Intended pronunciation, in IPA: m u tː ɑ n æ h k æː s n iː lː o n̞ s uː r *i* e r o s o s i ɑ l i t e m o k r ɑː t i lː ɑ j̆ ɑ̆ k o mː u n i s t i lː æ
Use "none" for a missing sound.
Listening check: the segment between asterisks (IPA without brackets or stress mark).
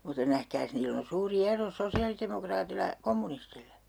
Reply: i